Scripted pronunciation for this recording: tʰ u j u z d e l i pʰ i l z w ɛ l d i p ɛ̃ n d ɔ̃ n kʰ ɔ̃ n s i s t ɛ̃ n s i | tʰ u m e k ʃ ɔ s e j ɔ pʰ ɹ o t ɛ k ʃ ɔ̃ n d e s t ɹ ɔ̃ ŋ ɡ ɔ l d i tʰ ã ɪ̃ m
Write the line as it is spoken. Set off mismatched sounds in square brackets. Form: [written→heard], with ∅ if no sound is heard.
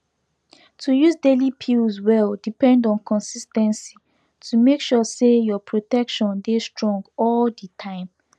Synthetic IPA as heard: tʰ u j u z d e l i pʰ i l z w ɛ l d i p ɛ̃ n d ɔ̃ n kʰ ɔ̃ n s i s t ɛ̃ n s i | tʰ u m e k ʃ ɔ s e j ɔ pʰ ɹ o t ɛ k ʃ ɔ̃ n d e s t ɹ ɔ̃ ŋ ɡ ɔ l d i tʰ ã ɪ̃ m